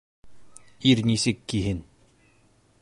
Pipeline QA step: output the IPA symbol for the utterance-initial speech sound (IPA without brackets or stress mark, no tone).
i